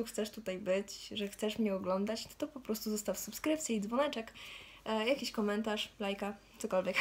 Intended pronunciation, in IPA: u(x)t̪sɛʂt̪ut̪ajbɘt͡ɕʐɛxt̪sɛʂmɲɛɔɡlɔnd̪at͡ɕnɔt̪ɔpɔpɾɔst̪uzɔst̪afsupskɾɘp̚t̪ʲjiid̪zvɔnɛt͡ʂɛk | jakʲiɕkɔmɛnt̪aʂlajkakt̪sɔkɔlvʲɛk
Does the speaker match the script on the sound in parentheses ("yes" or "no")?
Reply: yes